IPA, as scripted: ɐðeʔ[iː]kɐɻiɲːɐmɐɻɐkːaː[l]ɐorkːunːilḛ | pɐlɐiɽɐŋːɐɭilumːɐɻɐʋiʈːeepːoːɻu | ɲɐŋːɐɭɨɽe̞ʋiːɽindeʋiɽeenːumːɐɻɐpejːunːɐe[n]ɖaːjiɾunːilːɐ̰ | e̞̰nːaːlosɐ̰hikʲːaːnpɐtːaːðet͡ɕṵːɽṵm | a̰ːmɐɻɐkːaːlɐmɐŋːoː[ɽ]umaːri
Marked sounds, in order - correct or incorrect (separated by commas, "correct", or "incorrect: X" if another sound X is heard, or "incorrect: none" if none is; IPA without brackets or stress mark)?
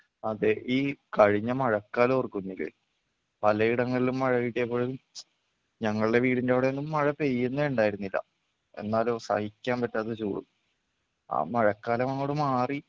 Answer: correct, correct, incorrect: ɳ, correct